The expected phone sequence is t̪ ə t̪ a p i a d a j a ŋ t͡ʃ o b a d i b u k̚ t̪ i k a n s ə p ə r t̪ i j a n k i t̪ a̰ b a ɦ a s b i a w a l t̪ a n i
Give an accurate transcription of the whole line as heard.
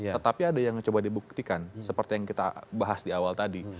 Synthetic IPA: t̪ ə t̪ a p i a d a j a ŋ t͡ʃ o b a d i b u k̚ t̪ i k a n s ə p ə r t̪ i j a ŋ k i t̪ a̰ b a ɦ a s d i a w a l t̪ a d i